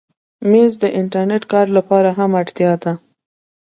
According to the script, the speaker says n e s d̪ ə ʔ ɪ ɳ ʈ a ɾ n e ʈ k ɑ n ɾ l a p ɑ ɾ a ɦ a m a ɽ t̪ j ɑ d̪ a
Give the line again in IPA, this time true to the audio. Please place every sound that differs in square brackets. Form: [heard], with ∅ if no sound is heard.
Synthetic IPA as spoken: [m] e [z] d̪ ə ʔ ɪ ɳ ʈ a ɾ n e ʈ k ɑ [∅] ɾ l a p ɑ ɾ a ɦ a m a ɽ t̪ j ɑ d̪ a